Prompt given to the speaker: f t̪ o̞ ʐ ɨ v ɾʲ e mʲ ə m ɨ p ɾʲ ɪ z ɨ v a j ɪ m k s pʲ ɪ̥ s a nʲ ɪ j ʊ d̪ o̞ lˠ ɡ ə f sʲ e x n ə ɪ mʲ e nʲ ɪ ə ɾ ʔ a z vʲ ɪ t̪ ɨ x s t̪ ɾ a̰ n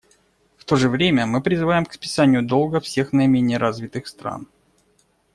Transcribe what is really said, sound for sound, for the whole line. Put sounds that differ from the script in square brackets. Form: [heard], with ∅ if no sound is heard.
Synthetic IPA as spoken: f t̪ o̞ ʐ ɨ v ɾʲ e mʲ ə m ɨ p ɾʲ ɪ z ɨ v a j ɪ m k s pʲ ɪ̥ s a nʲ ɪ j ʊ d̪ o̞ lˠ ɡ ə f sʲ e x n ə ɪ mʲ e nʲ ɪ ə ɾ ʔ a z vʲ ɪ t̪ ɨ x s t̪ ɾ a̰ n